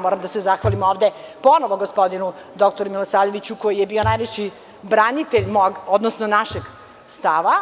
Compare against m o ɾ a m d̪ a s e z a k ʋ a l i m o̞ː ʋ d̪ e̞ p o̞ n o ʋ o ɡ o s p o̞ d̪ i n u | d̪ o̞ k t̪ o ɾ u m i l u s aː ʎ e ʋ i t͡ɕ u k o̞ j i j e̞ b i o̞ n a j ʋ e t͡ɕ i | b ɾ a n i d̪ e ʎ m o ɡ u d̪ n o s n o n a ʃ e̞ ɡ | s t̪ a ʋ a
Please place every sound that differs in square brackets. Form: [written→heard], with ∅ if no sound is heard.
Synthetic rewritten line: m o ɾ a m d̪ a s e z a [k→x] ʋ a l i m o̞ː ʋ d̪ e̞ p o̞ n o ʋ o ɡ o s p o̞ d̪ i n u | d̪ o̞ k t̪ o ɾ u m i l [u→o] s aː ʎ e ʋ i t͡ɕ u k o̞ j i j e̞ b i o̞ n a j ʋ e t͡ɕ i | b ɾ a n i [d̪→t̪] e ʎ m o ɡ [u→o] d̪ n o s n o n a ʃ e̞ ɡ | s t̪ a ʋ a